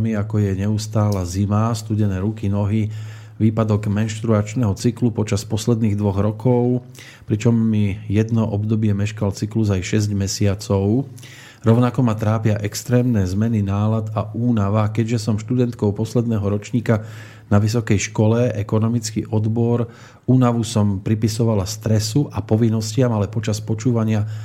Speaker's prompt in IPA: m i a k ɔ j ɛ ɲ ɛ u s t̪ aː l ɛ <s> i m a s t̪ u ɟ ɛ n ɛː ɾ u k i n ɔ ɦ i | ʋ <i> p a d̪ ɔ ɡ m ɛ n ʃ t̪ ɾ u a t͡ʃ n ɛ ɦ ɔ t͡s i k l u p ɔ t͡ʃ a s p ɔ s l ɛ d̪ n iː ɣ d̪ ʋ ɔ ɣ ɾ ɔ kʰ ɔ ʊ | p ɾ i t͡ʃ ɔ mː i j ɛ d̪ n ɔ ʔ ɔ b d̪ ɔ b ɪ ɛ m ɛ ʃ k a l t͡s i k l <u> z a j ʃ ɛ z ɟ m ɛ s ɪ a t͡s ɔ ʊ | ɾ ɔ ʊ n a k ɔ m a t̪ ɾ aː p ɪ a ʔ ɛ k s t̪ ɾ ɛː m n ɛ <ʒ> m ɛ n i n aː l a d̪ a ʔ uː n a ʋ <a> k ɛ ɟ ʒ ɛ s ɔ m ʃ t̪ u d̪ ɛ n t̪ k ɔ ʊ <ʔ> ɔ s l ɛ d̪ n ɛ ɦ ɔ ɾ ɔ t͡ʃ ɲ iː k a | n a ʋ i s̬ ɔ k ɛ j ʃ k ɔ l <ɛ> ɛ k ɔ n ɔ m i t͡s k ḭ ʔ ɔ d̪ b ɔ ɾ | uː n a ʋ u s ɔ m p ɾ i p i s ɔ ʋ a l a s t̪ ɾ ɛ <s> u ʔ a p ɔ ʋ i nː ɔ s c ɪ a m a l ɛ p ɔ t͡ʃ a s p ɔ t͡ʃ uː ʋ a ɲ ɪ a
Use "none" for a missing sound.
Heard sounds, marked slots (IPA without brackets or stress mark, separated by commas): z, iː, u, z, a, p, ɛ, s